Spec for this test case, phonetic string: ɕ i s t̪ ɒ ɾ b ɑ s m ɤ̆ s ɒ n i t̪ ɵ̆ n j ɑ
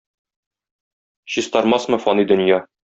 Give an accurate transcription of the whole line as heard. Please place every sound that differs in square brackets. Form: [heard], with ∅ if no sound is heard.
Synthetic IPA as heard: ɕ i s t̪ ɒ ɾ [m] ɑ s m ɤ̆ [f] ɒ n i [d̪] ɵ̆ n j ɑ